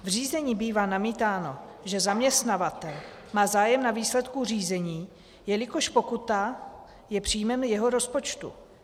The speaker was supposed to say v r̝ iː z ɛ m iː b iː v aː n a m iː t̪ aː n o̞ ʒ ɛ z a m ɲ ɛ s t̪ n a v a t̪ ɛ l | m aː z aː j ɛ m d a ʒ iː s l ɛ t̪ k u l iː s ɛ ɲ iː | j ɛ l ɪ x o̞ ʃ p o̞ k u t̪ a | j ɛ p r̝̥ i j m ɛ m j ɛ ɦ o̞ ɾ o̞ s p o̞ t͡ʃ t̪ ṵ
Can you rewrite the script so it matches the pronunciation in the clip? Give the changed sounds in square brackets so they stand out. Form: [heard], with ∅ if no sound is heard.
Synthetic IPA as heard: v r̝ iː z ɛ [ɲ] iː b iː v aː n a m iː t̪ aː n o̞ ʒ ɛ z a m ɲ ɛ s t̪ n a v a t̪ ɛ l | m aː z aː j ɛ m [n] a [v] iː s l ɛ t̪ k u [r] iː [z] ɛ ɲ iː | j ɛ l ɪ [k] o̞ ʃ p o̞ k u t̪ a | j ɛ p r̝̥ i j m ɛ m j ɛ ɦ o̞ ɾ o̞ s p o̞ t͡ʃ t̪ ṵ